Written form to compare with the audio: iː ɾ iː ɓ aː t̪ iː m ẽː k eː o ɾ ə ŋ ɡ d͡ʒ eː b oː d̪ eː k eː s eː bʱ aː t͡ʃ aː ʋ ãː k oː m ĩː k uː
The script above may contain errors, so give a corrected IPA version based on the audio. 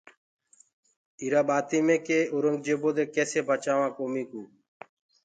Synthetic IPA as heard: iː ɾ aː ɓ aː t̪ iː m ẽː k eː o ɾ ə ŋ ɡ d͡ʒ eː b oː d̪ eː k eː s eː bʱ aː t͡ʃ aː ʋ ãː k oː m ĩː k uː